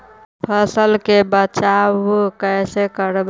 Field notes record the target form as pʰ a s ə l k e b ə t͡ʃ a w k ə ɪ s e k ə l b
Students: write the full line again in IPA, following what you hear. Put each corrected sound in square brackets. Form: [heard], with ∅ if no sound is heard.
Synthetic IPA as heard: pʰ [ə] s ə l k e b ə t͡ʃ a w k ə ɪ s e k ə [ɾ] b